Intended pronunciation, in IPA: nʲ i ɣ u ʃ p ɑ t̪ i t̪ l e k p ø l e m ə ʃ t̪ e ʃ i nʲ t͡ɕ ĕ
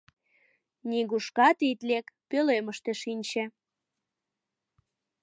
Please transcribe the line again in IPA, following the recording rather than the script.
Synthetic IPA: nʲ i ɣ u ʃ k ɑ t̪ i t̪ l e k p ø l e m ə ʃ t̪ e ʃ i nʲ t͡ɕ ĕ